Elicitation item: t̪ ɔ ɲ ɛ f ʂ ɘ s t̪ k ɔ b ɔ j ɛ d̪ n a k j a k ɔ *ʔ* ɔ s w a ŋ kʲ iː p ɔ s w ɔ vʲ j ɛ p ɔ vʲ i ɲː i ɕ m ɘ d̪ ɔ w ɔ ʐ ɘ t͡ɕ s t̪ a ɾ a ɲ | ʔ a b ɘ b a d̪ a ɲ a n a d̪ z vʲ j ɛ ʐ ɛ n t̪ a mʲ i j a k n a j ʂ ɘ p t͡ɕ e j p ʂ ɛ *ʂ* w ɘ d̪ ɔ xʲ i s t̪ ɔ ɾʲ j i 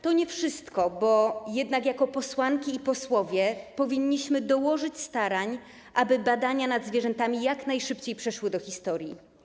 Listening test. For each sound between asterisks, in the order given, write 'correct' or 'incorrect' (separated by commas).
incorrect, correct